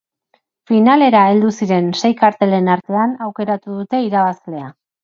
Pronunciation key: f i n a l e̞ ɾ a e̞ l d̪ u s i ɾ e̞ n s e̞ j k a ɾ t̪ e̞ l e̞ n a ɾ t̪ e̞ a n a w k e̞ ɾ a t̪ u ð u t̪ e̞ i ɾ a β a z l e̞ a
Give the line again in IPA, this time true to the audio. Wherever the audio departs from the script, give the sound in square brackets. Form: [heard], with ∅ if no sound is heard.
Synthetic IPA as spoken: f i n a l e̞ ɾ a e̞ l d̪ u s i ɾ e̞ n s e̞ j k a ɾ t̪ e̞ l e̞ n a ɾ t̪ e̞ a n a w k e̞ ɾ a t̪ u ð u t̪ e̞ i ɾ a β a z l e̞ a